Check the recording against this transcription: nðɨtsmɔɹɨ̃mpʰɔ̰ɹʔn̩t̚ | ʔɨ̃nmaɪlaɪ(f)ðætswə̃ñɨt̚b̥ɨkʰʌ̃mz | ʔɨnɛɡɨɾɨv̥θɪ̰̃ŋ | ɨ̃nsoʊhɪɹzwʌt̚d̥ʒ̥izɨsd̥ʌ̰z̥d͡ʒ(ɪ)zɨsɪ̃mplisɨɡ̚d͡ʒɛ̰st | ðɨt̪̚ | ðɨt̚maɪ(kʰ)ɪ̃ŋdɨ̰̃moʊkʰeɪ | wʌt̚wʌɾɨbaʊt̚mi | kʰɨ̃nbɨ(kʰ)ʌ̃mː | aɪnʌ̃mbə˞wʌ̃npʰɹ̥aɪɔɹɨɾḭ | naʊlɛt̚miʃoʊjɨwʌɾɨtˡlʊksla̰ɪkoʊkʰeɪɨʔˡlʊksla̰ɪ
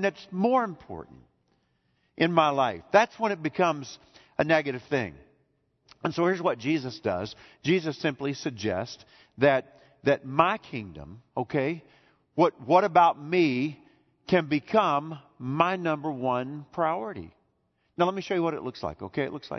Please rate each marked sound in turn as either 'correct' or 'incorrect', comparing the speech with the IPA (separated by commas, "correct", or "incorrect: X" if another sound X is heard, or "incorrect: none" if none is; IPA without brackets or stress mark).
correct, incorrect: i, correct, correct